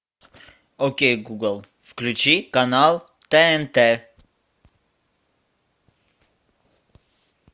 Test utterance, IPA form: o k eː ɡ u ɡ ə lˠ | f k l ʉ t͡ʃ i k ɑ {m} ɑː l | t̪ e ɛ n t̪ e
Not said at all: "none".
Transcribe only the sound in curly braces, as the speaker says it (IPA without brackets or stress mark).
n